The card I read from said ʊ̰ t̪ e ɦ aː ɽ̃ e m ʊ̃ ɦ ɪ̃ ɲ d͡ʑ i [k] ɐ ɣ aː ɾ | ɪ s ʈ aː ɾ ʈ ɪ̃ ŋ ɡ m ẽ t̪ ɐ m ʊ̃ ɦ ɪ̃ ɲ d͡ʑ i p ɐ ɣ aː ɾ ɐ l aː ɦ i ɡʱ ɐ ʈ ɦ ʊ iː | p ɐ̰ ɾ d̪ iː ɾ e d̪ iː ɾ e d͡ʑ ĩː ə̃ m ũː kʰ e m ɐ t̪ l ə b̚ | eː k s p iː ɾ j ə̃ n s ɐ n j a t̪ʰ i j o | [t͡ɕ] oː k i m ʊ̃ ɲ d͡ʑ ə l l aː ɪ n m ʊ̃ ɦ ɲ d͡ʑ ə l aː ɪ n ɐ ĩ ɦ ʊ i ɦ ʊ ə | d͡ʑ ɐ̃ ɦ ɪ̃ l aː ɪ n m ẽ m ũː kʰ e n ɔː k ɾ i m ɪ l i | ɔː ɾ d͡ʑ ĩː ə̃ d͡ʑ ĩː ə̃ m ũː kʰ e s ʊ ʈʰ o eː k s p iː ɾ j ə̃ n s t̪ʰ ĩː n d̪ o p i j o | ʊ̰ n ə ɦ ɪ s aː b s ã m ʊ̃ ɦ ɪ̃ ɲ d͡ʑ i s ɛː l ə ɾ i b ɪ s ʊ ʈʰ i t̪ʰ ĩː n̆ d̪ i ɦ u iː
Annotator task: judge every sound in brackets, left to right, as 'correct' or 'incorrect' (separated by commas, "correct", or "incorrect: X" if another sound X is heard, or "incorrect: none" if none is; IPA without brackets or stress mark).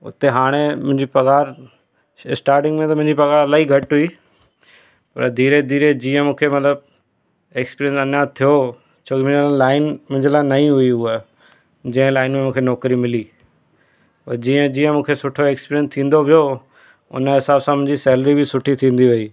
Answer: incorrect: p, incorrect: t͡ɕʰ